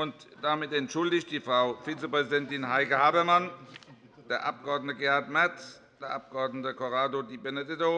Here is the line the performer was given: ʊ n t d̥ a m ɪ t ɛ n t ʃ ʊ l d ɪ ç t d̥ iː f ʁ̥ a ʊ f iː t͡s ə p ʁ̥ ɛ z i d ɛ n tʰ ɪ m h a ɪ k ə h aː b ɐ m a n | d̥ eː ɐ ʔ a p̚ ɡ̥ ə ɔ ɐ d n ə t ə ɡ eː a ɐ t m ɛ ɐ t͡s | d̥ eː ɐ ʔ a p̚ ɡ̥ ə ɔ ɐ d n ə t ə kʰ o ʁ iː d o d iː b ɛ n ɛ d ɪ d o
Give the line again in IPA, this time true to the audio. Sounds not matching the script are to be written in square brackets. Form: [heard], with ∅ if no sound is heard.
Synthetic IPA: ʊ n t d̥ a m ɪ t ɛ n t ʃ ʊ l d ɪ ç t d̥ iː f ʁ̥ a ʊ f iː t͡s ə p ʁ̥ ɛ z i d ɛ n [t] ɪ [n] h a ɪ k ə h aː b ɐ m a n | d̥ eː ɐ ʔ a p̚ ɡ̥ ə ɔ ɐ d n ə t ə ɡ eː a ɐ t m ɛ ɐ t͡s | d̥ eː ɐ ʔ a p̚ ɡ̥ ə ɔ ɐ d n ə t ə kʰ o ʁ [aː] d o d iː b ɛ n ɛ d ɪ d o